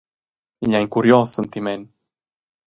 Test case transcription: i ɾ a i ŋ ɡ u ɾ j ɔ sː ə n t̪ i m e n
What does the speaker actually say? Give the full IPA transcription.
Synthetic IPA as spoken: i ʎ a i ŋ k u ɾ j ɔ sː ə n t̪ i m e n